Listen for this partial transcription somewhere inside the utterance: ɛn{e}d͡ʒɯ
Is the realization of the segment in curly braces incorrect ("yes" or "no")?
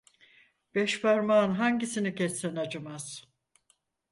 yes